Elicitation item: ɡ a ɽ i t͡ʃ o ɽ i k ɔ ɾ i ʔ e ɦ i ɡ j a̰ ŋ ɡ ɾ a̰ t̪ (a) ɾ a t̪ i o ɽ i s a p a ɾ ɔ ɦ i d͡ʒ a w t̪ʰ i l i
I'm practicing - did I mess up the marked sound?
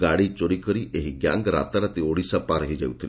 no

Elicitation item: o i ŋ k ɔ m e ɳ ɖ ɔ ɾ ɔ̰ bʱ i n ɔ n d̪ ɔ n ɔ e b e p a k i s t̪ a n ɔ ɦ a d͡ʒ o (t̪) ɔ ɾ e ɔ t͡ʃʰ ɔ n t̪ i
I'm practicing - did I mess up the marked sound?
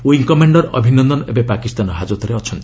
no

